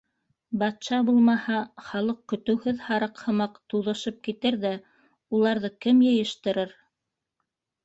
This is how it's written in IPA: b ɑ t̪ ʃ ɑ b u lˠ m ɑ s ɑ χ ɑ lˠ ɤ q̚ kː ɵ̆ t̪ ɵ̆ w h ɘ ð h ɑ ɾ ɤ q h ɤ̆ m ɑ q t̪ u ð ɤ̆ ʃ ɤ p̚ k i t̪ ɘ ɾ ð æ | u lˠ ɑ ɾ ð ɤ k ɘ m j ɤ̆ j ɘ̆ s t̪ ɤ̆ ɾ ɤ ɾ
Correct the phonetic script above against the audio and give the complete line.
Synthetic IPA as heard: b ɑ t̪ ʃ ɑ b u lˠ m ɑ h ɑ χ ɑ lˠ ɤ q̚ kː ɵ̆ t̪ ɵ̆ w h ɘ ð h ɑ ɾ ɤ q h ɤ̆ m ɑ q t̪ u ð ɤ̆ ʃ ɤ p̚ k i t̪ ɘ ɾ ð æ | u lˠ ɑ ɾ ð ɤ k ɘ m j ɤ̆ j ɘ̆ ʃ t̪ ɤ̆ ɾ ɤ ɾ